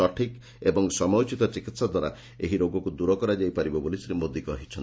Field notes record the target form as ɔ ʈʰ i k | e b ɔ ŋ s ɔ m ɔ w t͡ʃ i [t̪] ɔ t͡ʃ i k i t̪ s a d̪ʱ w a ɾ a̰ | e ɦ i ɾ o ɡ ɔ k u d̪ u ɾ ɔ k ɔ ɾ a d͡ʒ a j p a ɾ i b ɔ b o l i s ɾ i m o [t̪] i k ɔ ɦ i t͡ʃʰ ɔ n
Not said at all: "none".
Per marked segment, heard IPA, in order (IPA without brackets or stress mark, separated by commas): t̪, d̪